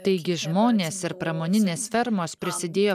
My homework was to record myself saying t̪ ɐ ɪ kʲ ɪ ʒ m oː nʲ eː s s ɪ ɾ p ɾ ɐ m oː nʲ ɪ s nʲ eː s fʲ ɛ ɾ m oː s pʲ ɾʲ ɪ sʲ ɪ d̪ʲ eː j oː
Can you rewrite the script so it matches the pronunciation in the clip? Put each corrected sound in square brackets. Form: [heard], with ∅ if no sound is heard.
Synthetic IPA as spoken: t̪ ɐ ɪ [ɡʲ] ɪ ʒ m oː nʲ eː s s ɪ ɾ p ɾ ɐ m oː nʲ ɪ [∅] nʲ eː s fʲ ɛ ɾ m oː s pʲ ɾʲ ɪ sʲ ɪ d̪ʲ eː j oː